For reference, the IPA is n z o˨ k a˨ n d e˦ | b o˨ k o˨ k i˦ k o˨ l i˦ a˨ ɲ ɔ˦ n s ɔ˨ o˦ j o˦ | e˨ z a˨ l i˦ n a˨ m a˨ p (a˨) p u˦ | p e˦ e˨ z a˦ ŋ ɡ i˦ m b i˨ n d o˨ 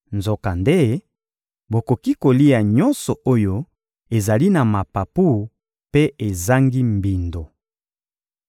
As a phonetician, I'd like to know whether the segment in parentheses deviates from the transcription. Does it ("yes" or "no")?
no